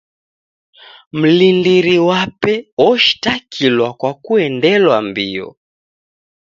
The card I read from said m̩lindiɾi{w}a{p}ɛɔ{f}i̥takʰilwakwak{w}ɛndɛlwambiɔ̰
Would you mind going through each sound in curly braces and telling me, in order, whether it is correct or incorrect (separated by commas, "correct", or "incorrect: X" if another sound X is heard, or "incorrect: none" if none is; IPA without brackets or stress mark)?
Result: correct, correct, incorrect: ʃ, incorrect: u